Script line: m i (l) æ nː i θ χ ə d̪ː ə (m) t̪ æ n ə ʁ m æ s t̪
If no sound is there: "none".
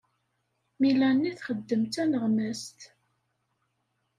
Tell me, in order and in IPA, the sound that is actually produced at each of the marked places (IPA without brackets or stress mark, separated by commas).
l, m